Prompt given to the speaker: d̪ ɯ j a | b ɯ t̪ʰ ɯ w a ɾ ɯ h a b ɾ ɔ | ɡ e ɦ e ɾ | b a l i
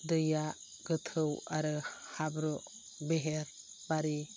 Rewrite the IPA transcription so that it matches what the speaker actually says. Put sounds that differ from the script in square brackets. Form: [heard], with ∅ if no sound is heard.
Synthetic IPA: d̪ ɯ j a | [ɡ] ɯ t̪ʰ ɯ w a ɾ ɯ h a b ɾ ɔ | [b] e ɦ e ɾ | b a [ɾ] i